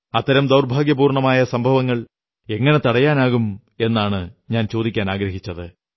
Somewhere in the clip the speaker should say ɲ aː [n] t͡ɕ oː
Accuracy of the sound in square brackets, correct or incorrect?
correct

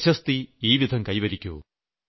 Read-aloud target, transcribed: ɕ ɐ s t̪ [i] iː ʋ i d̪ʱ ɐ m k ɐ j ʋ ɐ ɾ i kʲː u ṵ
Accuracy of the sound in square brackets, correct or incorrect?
correct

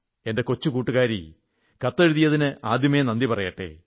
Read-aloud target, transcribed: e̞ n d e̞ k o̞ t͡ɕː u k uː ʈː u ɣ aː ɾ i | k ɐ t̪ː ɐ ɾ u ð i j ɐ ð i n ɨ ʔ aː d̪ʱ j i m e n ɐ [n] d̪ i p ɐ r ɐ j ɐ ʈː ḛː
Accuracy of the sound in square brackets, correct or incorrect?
correct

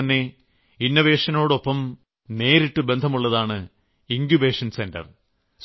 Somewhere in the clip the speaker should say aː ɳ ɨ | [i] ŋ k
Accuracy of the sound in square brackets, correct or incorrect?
correct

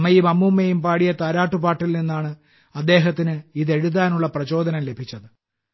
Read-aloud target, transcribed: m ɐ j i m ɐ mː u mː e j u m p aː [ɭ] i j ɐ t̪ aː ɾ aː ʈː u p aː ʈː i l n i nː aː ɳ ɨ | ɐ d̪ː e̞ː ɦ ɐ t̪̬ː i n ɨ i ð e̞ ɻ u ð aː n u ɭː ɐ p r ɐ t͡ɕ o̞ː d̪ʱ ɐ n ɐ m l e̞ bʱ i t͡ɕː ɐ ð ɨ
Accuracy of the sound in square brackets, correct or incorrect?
incorrect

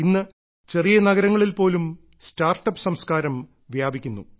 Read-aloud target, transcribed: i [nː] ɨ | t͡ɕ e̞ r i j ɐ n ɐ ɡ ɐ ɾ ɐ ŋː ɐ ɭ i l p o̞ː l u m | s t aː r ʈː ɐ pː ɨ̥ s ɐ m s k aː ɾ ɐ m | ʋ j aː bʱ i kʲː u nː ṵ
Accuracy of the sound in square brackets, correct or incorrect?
correct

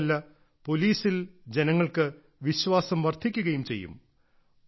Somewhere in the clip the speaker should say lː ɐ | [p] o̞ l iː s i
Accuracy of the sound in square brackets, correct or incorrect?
correct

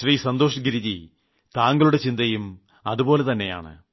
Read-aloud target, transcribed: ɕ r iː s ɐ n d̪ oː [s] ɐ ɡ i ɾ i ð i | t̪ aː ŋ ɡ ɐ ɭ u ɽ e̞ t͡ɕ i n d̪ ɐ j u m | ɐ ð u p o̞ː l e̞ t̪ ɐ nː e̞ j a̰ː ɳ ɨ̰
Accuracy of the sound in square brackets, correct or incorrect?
incorrect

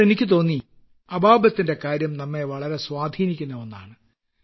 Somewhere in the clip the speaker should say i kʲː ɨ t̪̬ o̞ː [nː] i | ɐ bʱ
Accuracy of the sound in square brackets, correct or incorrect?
correct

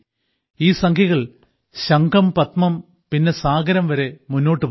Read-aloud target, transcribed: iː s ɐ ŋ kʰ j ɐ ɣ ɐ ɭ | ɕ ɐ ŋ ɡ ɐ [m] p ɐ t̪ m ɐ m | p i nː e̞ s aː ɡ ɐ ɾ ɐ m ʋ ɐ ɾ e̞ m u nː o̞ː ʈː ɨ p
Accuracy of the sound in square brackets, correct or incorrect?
correct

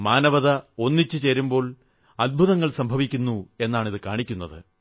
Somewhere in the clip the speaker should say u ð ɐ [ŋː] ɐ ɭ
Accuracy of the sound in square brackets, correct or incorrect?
correct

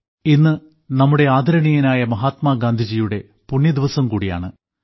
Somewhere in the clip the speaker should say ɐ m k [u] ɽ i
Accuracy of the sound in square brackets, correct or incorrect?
incorrect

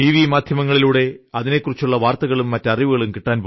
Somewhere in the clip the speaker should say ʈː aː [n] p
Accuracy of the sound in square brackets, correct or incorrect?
correct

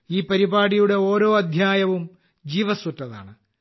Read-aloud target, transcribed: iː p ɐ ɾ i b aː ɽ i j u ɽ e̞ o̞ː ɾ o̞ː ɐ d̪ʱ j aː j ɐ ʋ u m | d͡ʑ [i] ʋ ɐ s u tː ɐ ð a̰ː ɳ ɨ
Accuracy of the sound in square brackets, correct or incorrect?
incorrect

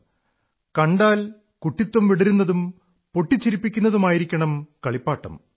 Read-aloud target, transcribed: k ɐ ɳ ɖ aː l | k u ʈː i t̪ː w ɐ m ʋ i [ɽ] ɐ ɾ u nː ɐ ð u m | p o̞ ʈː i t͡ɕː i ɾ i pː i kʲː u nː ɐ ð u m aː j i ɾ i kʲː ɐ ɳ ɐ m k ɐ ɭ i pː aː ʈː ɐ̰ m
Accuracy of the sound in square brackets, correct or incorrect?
correct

